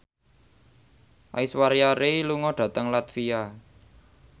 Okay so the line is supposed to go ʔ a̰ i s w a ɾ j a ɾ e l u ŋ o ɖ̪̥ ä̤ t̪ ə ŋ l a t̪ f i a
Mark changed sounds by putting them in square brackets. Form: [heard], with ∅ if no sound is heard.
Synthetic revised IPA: ʔ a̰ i s w a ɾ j a ɾ e l u ŋ [ɔ] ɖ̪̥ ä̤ t̪ ə ŋ l a t̪ f i a